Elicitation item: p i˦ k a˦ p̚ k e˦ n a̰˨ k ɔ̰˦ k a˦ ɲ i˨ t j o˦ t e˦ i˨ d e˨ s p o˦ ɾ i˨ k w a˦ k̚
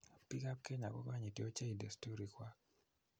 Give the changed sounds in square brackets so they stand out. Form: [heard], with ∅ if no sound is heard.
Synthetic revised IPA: p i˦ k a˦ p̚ k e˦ [ɲ] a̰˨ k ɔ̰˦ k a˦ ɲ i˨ t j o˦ [t͡ʃ] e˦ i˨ d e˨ s [t] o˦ ɾ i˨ k w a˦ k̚